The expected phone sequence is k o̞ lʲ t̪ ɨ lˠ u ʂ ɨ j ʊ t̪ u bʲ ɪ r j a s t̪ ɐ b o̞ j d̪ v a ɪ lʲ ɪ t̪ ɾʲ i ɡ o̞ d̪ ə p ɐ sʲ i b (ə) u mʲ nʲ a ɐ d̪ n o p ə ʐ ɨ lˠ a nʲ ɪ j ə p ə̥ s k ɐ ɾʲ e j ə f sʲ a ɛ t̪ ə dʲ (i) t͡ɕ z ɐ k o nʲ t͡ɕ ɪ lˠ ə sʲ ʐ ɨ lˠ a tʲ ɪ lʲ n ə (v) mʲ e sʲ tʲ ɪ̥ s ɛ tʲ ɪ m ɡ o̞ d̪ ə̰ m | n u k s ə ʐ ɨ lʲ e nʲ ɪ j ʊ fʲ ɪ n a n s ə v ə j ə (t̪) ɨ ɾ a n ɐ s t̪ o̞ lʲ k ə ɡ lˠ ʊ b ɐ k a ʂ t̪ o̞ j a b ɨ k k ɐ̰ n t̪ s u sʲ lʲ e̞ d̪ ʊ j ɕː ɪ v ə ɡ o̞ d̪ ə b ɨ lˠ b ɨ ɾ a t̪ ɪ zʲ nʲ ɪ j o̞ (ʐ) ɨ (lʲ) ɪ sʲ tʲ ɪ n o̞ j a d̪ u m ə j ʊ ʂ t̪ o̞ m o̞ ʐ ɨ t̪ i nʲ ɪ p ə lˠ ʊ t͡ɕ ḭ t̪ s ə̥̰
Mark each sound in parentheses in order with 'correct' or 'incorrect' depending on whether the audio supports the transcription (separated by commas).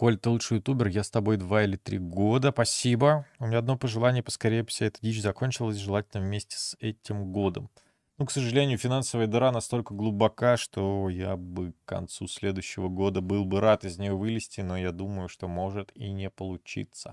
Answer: correct, correct, correct, incorrect, incorrect, correct